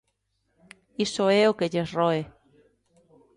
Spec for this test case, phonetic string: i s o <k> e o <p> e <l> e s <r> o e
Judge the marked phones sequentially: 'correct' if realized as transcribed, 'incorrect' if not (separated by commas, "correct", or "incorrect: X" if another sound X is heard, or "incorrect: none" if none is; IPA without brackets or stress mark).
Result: incorrect: none, incorrect: k, incorrect: ʎ, correct